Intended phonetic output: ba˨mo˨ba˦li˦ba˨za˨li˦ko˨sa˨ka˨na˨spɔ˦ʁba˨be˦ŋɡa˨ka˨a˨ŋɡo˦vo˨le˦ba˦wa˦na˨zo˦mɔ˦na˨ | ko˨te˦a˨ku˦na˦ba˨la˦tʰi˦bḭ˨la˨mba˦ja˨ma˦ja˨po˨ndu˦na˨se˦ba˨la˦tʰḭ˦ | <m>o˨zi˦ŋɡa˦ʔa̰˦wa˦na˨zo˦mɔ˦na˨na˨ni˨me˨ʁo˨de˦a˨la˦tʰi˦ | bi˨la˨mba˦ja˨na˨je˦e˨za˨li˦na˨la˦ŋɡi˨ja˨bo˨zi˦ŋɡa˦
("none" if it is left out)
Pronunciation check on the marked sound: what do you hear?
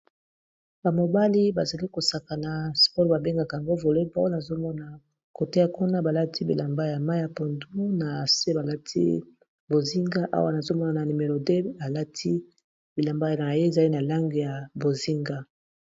b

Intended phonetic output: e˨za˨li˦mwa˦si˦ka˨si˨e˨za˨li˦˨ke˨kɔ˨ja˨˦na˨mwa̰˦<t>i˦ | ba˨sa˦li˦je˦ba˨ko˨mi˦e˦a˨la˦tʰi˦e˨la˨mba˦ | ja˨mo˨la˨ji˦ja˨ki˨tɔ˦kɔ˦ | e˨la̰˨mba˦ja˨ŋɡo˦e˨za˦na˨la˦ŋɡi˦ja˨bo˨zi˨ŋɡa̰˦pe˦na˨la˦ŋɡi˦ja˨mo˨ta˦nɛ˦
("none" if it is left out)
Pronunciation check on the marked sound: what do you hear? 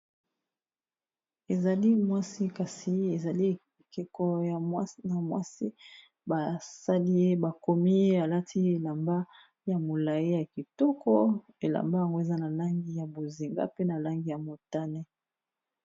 s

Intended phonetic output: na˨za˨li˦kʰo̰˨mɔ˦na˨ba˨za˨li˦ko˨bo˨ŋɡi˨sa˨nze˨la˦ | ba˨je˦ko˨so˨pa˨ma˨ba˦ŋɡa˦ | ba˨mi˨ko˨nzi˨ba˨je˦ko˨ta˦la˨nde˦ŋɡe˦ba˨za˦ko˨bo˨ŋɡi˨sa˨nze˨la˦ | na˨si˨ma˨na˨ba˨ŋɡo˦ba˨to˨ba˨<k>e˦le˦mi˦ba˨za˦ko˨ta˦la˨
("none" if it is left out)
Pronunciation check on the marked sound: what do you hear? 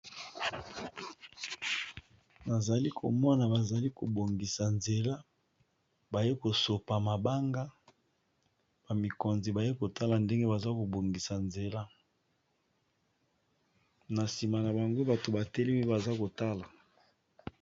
t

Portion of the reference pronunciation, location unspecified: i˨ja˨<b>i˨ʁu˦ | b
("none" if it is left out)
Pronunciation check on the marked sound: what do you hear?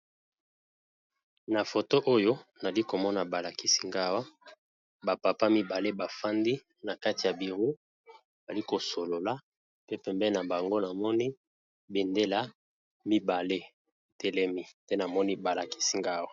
b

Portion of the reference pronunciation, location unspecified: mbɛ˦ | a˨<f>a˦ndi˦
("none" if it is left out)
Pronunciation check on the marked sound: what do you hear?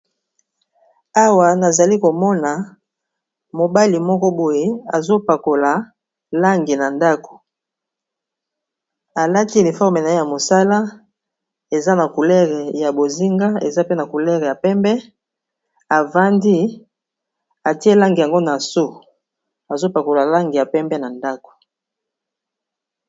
v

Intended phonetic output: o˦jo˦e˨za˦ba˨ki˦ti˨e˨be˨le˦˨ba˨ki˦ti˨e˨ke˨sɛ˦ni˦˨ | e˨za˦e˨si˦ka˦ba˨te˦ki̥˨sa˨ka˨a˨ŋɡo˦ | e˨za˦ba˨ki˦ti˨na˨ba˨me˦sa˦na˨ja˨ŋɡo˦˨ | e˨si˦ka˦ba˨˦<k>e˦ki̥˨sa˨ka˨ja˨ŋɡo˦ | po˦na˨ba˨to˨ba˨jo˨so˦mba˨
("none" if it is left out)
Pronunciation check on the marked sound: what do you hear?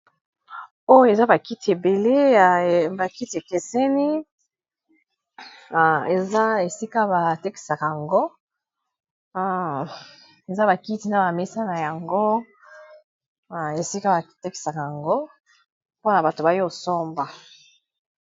t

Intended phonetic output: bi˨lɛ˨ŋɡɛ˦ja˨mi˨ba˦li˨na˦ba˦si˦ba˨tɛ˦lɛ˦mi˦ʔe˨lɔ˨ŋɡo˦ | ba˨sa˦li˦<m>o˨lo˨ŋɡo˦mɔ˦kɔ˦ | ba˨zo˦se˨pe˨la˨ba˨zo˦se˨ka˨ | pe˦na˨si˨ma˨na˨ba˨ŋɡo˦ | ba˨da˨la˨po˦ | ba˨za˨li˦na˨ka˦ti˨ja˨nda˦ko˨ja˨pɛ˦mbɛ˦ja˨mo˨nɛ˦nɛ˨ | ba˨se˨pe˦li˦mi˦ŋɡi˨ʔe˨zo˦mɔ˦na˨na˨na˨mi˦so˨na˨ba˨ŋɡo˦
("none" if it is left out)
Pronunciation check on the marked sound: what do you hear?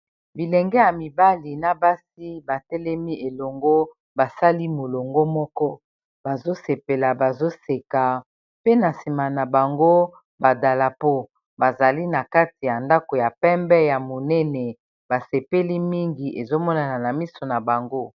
m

